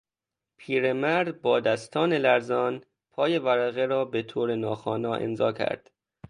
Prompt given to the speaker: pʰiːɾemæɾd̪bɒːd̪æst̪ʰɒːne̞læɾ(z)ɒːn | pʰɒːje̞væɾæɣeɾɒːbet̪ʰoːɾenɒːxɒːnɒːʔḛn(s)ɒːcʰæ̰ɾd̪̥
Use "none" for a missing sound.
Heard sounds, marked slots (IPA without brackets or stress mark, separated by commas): z, z